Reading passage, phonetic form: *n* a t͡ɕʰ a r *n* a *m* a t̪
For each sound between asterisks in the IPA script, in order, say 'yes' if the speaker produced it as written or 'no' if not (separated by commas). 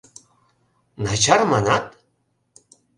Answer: yes, no, no